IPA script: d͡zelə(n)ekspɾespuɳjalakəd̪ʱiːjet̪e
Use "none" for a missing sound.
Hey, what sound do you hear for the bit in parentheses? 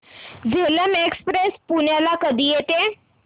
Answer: m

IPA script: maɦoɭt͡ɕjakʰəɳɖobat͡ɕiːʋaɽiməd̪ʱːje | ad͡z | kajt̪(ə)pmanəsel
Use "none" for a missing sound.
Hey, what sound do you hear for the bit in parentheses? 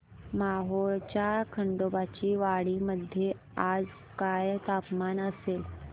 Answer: a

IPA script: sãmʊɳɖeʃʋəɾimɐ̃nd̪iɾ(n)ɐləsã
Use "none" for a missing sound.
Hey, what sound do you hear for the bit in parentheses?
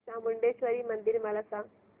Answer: m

